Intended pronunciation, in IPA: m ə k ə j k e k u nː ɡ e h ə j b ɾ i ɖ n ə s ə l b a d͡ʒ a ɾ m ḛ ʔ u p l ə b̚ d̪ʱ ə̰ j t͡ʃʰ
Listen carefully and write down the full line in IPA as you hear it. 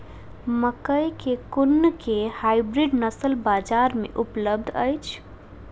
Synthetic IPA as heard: m ə k ə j k e k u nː k e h a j b ɾ i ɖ n ə s ə l b a d͡ʒ a ɾ m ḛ ʔ u p l ə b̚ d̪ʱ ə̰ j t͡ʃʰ